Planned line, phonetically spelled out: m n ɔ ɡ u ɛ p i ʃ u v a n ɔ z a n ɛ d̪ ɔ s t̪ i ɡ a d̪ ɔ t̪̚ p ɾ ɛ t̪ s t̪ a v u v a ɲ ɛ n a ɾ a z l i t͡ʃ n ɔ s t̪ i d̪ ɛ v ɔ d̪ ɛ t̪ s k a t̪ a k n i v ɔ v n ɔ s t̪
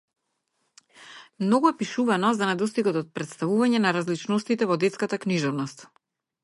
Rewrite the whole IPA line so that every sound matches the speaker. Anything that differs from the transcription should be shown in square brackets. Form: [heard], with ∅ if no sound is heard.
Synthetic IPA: m n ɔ ɡ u ɛ p i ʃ u v a n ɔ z a n ɛ d̪ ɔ s t̪ i ɡ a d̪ ɔ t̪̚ p ɾ ɛ t̪ s t̪ a v u v a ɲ ɛ n a ɾ a z l i t͡ʃ n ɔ s t̪ i [t̪] ɛ v ɔ d̪ ɛ t̪ s k a t̪ a k n i [ʒ] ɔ v n ɔ s t̪